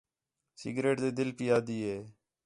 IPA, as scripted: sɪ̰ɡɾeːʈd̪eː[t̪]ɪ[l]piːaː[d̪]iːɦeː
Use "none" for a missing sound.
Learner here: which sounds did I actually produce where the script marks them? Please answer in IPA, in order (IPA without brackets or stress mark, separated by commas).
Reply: d̪, l, d̪